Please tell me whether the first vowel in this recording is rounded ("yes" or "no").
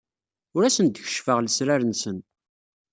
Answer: yes